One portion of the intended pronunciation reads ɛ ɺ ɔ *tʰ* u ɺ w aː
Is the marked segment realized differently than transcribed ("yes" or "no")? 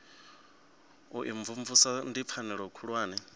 yes